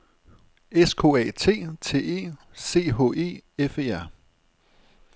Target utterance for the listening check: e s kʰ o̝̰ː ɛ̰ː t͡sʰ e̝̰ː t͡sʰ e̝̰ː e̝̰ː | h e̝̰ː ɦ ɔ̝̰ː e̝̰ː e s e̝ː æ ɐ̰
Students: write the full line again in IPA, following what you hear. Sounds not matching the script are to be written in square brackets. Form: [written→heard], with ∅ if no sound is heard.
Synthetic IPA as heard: e s kʰ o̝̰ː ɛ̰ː t͡sʰ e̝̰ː t͡sʰ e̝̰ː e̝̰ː | [h→s] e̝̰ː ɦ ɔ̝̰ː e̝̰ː e [s→f] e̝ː æ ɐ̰